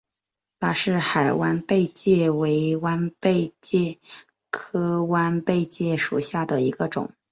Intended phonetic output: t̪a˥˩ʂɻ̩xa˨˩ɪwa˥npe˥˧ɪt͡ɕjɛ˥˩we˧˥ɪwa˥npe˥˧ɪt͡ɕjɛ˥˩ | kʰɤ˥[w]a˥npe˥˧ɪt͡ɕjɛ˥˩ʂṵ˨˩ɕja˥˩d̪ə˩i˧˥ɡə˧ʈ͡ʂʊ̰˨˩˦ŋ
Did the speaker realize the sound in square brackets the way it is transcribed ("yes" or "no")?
yes